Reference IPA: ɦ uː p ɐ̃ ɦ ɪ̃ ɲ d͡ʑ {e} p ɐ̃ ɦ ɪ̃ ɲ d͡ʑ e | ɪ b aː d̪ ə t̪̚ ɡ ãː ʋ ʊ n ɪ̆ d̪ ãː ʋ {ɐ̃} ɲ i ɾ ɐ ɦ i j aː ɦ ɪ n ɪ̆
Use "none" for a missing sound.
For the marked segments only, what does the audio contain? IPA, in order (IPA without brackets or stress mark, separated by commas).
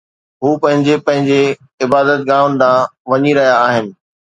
e, ɐ